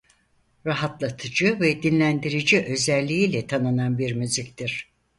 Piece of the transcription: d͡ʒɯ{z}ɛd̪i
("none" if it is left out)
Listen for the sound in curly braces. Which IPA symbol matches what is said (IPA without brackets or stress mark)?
v